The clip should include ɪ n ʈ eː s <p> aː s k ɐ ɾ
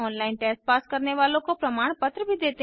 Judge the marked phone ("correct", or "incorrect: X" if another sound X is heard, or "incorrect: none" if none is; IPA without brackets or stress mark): correct